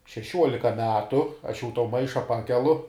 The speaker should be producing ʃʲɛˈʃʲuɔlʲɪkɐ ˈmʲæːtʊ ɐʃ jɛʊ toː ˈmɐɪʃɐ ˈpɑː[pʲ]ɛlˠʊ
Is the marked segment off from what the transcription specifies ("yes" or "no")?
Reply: yes